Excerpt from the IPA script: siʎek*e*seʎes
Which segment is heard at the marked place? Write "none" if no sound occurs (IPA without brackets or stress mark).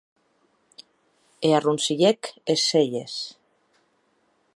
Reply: e